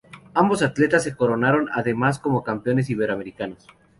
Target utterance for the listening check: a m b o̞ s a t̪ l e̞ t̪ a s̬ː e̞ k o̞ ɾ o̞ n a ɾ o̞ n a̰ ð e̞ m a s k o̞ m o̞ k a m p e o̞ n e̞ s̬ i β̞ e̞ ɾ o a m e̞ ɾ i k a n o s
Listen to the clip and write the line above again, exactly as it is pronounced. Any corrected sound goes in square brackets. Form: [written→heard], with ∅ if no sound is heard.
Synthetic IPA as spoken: a m b o̞ s a t̪ l e̞ t̪ a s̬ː e̞ k o̞ ɾ o̞ n a ɾ o̞ n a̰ ð e̞ m a s k o̞ m o̞ k a m p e o̞ n e̞ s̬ i β̞ e̞ ɾ o a m e̞ ɾ i k a n o s